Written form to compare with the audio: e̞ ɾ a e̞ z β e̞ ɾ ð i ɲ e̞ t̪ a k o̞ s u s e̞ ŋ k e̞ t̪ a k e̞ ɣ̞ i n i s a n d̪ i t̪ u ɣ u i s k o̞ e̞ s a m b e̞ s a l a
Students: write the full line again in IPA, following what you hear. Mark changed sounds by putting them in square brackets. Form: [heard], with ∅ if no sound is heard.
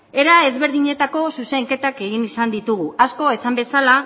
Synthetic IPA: e̞ ɾ a e̞ z β e̞ ɾ ð i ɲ e̞ t̪ a k o̞ s u s e̞ ŋ k e̞ t̪ a k e̞ ɣ̞ i n i s a n d̪ i t̪ u ɣ u [a] s k o̞ e̞ s a m b e̞ s a l a